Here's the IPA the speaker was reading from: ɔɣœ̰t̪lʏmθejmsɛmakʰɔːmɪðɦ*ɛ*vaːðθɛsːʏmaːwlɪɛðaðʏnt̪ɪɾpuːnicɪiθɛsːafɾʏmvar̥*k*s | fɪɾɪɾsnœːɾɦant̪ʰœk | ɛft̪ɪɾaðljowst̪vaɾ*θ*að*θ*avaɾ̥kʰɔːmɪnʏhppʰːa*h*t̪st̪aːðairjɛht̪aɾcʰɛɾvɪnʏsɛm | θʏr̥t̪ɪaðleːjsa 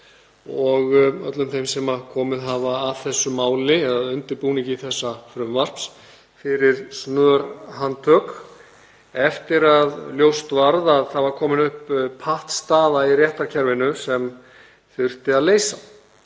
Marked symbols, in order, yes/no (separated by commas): no, no, no, yes, yes